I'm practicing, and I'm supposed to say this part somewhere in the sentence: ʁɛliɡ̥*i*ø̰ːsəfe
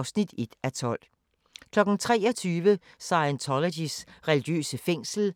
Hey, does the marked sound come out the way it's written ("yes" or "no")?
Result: no